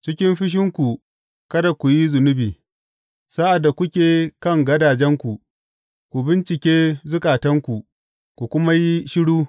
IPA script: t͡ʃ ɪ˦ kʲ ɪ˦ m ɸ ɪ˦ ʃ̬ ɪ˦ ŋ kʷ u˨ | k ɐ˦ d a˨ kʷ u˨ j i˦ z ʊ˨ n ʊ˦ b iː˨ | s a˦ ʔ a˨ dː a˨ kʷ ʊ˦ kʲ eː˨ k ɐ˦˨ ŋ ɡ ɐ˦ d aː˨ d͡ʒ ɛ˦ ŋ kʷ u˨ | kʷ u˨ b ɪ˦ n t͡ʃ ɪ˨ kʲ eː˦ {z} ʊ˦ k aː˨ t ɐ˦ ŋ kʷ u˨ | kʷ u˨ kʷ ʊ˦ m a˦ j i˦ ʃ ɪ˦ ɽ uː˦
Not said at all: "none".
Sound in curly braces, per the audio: z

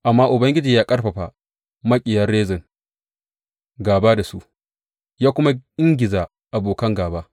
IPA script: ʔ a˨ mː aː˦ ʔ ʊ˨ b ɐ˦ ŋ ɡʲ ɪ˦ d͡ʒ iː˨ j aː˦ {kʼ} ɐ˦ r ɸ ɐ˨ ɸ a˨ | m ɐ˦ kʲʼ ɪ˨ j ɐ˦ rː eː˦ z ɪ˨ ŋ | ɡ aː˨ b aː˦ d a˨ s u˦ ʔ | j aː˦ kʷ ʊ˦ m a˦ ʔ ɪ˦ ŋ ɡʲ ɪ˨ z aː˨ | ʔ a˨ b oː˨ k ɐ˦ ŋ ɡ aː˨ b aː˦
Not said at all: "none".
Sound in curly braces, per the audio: kʼ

